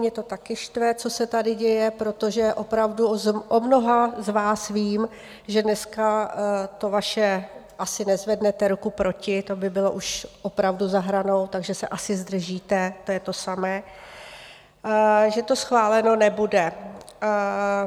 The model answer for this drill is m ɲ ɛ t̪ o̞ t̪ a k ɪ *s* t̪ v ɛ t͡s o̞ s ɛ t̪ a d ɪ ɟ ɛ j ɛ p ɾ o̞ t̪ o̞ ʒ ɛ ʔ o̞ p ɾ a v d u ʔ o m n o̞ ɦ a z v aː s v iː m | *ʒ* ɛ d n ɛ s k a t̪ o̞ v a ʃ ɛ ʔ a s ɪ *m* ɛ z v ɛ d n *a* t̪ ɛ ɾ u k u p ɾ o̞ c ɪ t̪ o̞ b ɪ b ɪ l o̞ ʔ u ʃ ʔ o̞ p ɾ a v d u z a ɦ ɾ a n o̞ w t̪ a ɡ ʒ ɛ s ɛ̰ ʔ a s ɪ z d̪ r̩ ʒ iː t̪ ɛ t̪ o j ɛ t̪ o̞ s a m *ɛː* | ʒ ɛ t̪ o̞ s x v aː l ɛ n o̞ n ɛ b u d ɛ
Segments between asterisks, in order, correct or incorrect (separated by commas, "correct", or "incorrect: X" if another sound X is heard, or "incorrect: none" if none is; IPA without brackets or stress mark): incorrect: ʃ, correct, incorrect: n, incorrect: ɛ, correct